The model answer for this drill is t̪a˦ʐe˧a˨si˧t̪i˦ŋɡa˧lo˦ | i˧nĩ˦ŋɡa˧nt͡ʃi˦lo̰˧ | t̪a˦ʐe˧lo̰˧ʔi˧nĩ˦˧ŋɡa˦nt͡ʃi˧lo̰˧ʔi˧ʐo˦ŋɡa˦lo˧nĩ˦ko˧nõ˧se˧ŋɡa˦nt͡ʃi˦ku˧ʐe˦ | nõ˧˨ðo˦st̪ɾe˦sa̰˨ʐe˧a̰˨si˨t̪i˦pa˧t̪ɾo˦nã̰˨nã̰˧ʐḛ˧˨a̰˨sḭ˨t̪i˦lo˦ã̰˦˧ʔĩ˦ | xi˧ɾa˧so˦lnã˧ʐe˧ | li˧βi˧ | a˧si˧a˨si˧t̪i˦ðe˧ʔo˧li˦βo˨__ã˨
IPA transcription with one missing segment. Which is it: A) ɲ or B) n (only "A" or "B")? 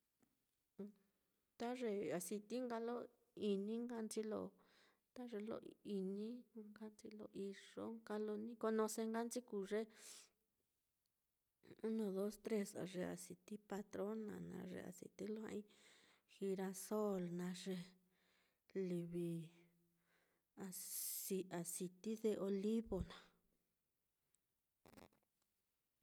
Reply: B